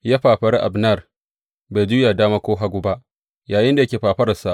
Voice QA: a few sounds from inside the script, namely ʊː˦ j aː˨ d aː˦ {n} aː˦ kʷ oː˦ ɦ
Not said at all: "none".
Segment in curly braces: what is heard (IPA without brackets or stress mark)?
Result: m